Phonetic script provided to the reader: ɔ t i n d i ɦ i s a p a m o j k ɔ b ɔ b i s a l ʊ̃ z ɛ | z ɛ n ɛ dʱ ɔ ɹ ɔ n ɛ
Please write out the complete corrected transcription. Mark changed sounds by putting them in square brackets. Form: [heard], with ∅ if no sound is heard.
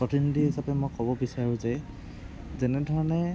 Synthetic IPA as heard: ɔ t i n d i ɦ i s a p [ɛ] m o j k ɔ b ɔ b i s a [ɹ] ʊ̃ z ɛ | z ɛ n ɛ dʱ ɔ ɹ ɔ n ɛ